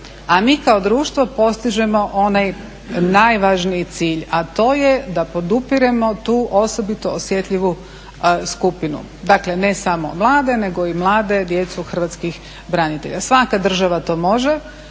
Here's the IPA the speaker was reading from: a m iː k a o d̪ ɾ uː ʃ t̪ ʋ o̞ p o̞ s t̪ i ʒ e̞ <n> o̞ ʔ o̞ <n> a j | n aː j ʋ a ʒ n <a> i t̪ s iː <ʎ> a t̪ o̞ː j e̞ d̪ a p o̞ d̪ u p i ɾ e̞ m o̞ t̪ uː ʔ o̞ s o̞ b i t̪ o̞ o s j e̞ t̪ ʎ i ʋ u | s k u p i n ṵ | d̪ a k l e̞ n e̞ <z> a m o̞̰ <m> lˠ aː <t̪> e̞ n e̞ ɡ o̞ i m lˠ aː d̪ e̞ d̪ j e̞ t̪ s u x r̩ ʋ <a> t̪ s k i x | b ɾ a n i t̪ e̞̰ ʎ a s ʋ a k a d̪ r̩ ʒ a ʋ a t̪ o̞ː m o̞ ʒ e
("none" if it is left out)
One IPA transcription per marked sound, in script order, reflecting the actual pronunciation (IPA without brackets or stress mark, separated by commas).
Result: m, n, i, ʎ, s, m, d̪, a